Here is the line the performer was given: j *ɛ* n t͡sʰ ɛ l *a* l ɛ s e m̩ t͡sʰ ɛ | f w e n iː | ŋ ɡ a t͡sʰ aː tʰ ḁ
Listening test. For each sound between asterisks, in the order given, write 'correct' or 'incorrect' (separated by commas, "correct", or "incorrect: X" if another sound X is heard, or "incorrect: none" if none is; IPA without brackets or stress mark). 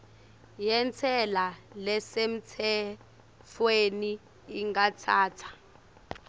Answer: correct, correct